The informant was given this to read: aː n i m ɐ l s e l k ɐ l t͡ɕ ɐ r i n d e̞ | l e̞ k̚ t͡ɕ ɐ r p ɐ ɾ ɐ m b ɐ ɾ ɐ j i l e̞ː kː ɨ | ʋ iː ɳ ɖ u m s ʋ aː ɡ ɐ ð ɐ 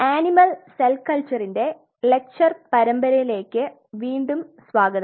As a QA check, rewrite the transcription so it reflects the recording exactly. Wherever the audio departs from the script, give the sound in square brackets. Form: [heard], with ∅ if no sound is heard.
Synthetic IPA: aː n i m ɐ l s e l k ɐ l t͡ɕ ɐ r i n d e̞ | l e̞ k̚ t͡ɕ ɐ r p ɐ ɾ ɐ m b ɐ ɾ ɐ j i l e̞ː kː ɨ | ʋ iː ɳ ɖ u m s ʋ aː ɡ ɐ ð ɐ